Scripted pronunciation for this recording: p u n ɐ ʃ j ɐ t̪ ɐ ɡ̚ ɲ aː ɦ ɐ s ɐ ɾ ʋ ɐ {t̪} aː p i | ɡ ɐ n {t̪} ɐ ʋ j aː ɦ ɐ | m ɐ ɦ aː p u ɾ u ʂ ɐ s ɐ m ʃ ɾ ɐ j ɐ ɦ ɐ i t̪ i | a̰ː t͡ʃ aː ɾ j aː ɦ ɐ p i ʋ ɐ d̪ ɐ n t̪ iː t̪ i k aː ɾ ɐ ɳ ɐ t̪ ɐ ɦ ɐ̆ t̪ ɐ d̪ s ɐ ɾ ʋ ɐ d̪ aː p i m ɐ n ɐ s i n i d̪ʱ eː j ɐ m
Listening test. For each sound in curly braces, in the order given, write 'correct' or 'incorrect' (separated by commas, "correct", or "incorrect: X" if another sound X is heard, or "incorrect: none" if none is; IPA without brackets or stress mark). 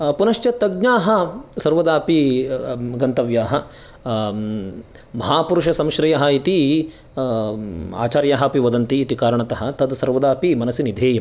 incorrect: d̪, correct